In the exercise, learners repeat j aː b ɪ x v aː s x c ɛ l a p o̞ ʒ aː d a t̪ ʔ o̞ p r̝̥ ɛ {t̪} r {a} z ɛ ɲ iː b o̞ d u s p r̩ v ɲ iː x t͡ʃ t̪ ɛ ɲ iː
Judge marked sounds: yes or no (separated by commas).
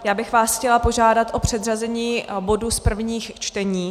no, yes